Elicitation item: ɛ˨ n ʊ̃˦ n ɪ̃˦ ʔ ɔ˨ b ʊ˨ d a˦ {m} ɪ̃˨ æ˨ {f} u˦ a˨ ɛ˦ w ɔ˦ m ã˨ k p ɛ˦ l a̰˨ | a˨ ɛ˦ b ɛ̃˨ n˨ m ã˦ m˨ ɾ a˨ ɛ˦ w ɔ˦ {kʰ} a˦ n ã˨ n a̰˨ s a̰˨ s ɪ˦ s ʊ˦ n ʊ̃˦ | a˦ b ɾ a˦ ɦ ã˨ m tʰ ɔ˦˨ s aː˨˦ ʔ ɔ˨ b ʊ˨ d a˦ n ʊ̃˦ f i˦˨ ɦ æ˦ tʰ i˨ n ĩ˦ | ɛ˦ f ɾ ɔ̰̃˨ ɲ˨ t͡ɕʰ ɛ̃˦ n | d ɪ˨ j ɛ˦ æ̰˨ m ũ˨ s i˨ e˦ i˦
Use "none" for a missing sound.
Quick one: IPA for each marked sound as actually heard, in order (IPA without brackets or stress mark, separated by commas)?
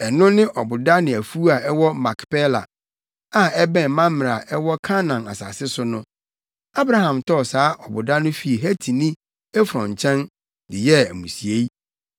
n, f, kʰ